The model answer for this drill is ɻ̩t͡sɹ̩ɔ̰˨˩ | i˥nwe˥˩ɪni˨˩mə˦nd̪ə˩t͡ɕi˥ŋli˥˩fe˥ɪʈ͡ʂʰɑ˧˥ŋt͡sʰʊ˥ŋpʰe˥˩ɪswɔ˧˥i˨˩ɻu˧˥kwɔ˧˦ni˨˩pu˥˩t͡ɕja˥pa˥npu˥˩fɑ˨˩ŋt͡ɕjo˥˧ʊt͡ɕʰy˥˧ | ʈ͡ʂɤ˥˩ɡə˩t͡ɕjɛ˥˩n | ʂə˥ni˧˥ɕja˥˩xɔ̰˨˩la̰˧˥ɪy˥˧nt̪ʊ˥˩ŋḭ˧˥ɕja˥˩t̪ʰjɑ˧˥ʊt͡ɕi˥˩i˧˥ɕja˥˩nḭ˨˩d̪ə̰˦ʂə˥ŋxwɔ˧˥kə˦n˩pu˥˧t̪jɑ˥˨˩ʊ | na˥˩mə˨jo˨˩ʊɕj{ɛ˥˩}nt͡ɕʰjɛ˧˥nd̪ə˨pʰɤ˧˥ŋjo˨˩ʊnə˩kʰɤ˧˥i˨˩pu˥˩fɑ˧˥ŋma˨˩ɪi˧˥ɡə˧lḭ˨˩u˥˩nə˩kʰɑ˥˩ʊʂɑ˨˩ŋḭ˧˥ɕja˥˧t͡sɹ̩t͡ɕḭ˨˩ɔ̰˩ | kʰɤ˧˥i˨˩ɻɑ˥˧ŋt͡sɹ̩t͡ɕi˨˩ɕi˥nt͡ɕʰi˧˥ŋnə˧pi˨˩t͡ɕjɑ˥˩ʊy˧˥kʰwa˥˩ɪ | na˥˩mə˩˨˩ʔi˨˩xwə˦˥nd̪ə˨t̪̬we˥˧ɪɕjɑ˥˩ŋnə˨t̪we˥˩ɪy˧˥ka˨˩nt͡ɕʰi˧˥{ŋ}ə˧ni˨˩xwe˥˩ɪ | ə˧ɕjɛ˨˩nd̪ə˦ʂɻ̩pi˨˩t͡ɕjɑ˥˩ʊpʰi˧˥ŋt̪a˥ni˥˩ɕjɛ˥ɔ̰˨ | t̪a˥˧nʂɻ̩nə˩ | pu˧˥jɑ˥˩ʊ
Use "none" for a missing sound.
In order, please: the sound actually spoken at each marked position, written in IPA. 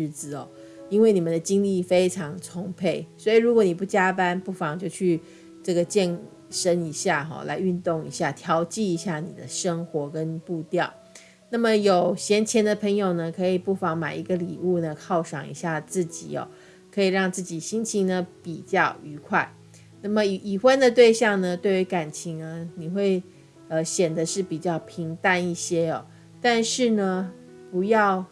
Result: ɛ˧˥, ŋ

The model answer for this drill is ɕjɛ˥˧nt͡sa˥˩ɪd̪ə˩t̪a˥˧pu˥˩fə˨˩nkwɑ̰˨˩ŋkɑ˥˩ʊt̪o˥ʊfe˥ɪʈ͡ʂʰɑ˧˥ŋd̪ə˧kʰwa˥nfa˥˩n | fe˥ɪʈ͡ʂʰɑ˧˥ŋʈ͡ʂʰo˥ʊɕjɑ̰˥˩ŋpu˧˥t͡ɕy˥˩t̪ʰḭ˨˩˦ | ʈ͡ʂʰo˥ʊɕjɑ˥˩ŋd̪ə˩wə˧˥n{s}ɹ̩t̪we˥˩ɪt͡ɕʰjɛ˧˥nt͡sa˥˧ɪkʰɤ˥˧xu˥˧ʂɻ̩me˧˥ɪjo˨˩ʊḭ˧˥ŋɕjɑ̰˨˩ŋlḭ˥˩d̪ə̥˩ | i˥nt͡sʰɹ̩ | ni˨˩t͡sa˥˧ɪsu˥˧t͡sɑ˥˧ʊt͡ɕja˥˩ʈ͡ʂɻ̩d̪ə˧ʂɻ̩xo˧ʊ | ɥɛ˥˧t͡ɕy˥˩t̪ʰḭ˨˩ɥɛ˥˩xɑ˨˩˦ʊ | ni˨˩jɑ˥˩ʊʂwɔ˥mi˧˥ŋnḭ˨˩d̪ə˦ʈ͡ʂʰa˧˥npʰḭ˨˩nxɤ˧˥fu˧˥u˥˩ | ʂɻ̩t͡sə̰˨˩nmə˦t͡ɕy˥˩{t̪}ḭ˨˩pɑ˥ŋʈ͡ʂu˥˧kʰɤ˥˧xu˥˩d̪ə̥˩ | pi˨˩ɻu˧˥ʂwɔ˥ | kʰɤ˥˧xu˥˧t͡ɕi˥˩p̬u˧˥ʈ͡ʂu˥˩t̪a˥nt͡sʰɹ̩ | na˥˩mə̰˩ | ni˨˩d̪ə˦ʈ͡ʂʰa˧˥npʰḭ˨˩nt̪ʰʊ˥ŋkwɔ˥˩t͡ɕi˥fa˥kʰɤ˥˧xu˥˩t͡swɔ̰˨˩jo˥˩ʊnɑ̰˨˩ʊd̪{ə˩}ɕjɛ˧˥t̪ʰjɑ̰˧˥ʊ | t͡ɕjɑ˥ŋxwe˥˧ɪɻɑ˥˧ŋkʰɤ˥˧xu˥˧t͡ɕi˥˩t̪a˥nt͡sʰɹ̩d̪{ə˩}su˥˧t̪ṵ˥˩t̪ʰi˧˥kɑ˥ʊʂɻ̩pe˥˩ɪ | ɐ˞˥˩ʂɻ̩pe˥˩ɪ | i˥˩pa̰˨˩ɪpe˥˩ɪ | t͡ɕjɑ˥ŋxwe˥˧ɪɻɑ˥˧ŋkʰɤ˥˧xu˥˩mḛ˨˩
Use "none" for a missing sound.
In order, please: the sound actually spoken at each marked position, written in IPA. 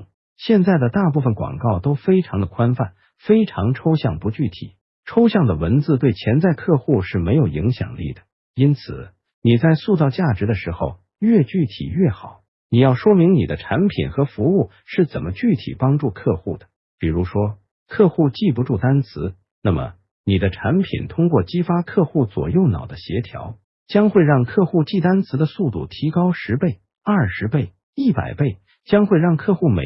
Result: t͡s, t̪ʰ, ə˦, ə˧

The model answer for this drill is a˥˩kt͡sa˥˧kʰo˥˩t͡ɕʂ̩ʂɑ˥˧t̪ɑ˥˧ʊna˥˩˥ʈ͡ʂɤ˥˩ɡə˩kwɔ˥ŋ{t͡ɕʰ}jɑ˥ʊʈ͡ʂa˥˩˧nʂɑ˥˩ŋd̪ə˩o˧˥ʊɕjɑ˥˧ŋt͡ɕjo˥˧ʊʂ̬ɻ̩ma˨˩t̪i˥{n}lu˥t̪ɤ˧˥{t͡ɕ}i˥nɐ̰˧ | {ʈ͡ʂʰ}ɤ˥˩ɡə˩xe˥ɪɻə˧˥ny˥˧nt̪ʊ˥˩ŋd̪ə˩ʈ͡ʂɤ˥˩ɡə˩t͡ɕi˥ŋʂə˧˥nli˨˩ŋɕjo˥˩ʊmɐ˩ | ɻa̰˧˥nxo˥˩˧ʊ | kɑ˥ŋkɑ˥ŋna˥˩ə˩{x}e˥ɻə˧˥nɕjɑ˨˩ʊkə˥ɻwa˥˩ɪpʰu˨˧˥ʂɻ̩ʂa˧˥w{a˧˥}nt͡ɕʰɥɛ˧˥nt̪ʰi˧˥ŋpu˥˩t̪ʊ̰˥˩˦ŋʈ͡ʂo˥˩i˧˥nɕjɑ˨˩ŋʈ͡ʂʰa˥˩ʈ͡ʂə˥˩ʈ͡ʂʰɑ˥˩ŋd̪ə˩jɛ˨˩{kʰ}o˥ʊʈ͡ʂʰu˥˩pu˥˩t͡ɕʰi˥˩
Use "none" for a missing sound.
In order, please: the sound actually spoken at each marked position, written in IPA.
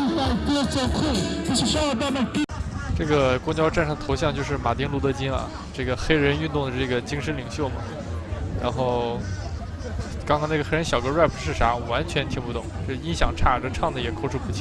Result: t͡ɕ, ŋ, t͡ɕ, ʈ͡ʂ, x, a˧˥, kʰ

